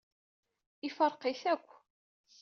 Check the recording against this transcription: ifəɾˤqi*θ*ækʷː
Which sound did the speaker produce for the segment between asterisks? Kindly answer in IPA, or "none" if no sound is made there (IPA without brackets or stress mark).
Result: θ